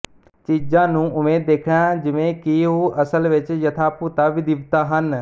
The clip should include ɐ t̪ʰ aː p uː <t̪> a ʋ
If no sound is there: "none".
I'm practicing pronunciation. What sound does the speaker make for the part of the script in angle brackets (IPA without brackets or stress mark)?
t̪